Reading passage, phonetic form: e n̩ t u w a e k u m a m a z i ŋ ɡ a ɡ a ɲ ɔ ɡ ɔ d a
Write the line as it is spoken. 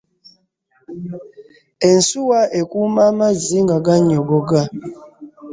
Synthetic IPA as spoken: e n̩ s u w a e k u m a m a z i ŋ ɡ a ɡ a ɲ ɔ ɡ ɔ ɡ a